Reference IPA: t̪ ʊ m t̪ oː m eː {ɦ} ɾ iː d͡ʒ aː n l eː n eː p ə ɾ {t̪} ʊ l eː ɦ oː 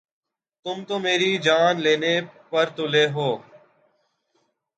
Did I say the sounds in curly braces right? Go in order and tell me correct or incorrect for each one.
incorrect: none, correct

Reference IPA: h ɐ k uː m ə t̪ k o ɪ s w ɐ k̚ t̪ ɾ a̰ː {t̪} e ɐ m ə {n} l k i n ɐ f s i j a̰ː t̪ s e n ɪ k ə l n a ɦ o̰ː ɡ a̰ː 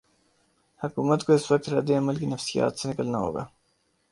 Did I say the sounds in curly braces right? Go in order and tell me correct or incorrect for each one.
incorrect: d̪, incorrect: none

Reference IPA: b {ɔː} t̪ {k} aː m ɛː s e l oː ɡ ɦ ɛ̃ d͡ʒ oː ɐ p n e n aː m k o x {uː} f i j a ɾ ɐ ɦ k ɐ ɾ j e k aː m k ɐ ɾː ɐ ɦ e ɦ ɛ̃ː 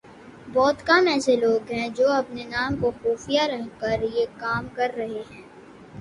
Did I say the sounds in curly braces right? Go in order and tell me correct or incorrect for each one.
correct, correct, correct

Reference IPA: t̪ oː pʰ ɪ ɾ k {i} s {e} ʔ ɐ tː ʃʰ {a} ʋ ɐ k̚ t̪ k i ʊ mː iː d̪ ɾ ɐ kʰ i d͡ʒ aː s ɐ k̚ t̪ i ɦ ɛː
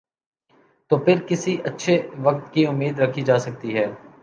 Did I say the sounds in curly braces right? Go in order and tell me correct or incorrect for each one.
incorrect: ɪ, incorrect: i, incorrect: e

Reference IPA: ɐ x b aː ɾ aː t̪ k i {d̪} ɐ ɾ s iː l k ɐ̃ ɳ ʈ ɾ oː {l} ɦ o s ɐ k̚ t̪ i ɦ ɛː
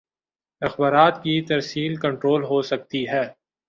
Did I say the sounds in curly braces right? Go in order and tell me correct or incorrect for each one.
incorrect: t̪, correct

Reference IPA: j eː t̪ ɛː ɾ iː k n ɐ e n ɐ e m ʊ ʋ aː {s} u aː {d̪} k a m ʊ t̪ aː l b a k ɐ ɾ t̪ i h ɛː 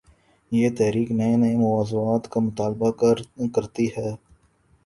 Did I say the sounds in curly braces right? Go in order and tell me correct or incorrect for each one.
incorrect: z, incorrect: t̪

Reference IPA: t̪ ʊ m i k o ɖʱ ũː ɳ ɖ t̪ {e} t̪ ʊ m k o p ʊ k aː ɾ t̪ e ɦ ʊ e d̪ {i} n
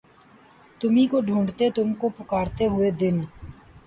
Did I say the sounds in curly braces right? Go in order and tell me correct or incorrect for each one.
correct, incorrect: ɪ

